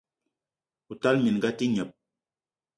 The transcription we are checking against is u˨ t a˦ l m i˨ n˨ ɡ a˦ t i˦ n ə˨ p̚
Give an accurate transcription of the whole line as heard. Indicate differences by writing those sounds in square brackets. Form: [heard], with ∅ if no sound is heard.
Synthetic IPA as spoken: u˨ t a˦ l m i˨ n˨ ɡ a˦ t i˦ [ɲ] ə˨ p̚